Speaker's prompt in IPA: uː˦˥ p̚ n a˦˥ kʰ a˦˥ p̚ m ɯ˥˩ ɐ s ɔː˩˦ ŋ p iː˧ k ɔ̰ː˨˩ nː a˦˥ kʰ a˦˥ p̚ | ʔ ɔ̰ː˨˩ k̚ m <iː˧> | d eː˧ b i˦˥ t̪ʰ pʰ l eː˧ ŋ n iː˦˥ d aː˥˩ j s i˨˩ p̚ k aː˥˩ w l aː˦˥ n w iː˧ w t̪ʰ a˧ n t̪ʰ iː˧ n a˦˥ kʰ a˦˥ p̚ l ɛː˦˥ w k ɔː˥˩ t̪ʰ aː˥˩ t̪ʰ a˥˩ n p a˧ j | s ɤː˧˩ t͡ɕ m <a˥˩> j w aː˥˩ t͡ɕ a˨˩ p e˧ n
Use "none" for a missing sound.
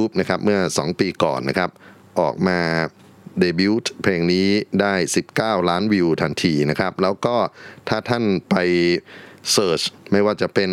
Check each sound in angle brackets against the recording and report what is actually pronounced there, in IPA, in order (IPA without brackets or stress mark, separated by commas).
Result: aː˧, a˥˩